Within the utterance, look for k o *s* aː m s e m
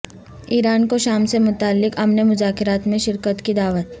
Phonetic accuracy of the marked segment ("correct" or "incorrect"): incorrect